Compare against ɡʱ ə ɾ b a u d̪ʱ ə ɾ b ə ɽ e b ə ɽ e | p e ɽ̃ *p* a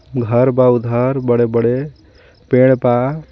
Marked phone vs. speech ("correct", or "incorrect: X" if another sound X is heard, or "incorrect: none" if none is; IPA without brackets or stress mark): correct